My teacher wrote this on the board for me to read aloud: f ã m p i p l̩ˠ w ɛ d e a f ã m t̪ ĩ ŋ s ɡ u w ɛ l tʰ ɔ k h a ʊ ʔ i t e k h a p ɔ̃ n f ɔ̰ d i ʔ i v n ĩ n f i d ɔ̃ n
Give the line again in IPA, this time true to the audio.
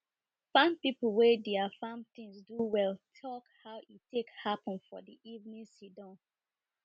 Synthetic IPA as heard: f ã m p i p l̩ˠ w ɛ d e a f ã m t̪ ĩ ŋ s d u w ɛ l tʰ ɔ k h a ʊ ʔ i t e k h a p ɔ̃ n f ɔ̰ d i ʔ i v n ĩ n s i d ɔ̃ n